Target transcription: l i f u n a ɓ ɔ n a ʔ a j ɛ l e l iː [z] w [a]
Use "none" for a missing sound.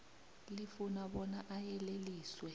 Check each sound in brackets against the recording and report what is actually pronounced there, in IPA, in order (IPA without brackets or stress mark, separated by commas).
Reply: s, ɛ